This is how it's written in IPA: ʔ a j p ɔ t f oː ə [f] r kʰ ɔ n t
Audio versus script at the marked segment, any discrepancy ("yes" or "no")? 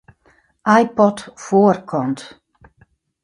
yes